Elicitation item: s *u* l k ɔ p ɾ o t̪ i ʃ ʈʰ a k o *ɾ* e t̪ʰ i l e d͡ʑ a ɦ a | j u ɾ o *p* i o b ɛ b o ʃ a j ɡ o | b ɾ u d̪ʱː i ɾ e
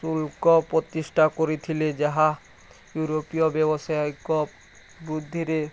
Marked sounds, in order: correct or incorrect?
correct, correct, correct

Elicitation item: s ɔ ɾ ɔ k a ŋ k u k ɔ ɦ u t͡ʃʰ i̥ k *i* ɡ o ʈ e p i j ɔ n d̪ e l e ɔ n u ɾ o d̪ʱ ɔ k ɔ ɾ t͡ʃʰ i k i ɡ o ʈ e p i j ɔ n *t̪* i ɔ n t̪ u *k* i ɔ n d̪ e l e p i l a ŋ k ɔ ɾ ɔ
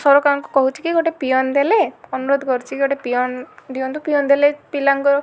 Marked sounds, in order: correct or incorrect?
correct, incorrect: d̪, incorrect: p

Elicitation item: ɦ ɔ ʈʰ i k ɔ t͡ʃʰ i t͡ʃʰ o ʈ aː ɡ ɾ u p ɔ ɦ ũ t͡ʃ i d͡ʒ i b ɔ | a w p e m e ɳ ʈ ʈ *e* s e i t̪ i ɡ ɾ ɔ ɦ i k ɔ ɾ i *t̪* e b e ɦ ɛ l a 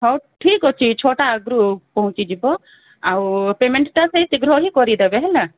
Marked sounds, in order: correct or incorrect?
incorrect: a, incorrect: d̪

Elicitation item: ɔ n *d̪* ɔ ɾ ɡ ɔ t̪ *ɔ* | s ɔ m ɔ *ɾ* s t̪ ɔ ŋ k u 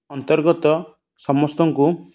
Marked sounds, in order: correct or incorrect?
incorrect: t̪, correct, incorrect: none

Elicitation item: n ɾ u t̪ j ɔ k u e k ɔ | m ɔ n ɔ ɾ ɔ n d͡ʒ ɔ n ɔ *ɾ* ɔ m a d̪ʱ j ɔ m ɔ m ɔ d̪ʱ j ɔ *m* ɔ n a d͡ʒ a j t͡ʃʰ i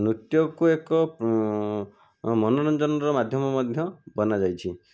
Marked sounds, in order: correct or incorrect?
correct, incorrect: b

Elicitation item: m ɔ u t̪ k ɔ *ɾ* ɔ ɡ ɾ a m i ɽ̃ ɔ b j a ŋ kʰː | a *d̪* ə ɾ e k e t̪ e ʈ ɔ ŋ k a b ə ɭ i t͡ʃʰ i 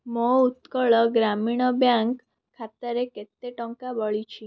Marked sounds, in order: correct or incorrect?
incorrect: ɭ, incorrect: t̪

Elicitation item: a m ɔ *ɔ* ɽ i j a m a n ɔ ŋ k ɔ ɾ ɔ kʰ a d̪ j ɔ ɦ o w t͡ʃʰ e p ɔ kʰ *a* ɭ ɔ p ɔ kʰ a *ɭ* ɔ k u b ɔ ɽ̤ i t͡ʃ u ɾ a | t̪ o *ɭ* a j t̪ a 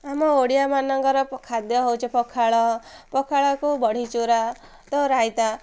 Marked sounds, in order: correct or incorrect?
incorrect: o, correct, correct, incorrect: ɾ

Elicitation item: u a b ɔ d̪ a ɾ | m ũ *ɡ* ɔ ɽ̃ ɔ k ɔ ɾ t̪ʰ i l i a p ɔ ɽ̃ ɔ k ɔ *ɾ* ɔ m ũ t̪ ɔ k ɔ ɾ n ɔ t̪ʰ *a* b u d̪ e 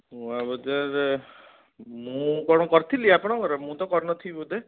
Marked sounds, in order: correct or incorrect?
incorrect: k, correct, incorrect: i

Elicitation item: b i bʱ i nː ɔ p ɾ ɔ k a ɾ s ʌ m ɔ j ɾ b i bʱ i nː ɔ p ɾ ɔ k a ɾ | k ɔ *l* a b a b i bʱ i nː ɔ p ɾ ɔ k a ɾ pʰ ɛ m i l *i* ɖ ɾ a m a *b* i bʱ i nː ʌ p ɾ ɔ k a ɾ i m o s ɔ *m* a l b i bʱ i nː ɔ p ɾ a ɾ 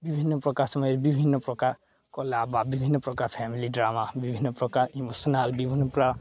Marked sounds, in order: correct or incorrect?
correct, correct, correct, incorrect: n

